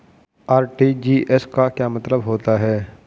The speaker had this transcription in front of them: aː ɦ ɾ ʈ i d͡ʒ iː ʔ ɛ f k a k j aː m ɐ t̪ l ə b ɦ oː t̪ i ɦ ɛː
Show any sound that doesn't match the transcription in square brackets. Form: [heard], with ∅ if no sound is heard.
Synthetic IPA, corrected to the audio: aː [∅] ɾ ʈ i d͡ʒ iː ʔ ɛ [s] k a k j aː m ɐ t̪ l ə b ɦ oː t̪ [a] ɦ ɛː